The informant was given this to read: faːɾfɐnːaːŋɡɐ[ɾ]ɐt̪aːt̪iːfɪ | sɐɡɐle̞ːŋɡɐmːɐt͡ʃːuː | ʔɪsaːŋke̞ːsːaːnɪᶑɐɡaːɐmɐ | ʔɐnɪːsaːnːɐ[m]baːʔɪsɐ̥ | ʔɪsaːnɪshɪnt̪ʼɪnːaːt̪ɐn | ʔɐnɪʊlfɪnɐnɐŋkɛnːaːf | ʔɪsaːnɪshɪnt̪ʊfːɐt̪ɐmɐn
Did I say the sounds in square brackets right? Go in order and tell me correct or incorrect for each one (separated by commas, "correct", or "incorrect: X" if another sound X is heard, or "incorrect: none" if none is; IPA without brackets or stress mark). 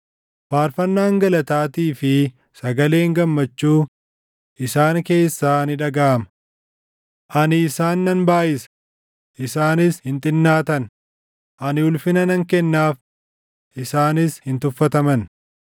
incorrect: l, incorrect: n